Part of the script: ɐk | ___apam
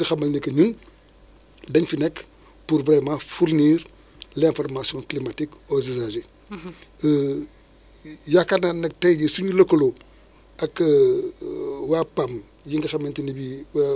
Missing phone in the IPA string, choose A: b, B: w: B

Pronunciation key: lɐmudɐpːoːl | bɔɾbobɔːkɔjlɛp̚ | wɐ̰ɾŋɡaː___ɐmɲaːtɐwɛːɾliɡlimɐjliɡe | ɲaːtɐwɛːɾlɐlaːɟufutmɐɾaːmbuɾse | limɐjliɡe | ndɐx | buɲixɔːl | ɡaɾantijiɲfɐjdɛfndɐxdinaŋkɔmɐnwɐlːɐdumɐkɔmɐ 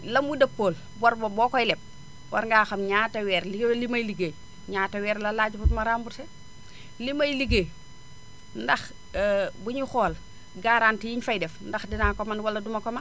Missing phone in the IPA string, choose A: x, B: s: A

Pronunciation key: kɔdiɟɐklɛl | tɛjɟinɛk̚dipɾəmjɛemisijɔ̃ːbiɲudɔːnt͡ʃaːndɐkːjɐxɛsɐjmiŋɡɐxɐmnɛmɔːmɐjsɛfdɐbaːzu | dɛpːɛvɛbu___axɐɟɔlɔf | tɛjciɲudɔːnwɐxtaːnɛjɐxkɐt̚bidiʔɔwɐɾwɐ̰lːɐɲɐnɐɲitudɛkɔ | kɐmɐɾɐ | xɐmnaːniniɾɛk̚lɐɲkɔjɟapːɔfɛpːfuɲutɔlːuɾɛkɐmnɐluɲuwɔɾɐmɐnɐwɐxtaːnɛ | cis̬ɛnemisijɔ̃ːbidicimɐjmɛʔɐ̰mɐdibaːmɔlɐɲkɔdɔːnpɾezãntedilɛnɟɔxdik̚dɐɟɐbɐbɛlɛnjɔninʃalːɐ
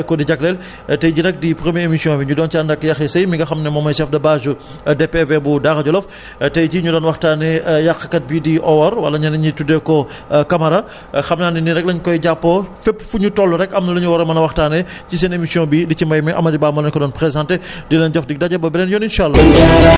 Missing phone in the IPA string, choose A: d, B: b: A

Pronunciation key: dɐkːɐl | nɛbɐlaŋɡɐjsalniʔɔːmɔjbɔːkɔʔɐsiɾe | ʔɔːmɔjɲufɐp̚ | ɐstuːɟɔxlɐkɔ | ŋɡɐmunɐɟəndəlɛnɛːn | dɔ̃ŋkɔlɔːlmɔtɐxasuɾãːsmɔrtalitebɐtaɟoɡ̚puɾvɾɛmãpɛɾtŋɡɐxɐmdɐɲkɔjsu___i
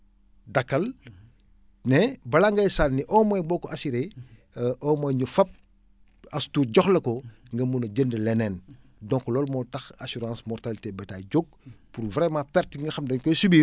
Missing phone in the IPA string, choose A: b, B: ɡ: A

